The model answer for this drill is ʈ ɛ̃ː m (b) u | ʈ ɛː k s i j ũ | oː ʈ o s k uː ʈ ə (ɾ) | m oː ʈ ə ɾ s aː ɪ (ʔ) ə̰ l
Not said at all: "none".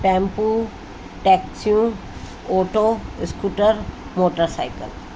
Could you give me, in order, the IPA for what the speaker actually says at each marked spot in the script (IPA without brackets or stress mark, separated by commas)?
p, ɾ, k